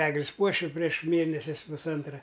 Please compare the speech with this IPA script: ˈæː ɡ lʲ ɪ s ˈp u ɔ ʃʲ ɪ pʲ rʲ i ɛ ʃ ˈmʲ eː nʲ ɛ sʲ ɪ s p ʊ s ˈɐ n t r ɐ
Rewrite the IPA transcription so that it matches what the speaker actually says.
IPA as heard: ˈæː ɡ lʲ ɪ s ˈp u ɔ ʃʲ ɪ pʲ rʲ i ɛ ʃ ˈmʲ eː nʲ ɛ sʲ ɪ s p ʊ s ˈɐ n t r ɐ